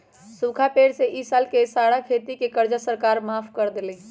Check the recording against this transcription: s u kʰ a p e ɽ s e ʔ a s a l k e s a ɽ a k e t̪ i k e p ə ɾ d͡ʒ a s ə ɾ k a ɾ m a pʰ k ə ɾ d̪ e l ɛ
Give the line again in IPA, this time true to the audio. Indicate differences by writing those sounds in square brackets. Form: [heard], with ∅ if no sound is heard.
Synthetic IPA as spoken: s u kʰ a p e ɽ s e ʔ [i] s a l k e s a ɽ a [kʰ] e t̪ i k e [k] ə ɾ d͡ʒ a s ə ɾ k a ɾ m a pʰ k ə ɾ d̪ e l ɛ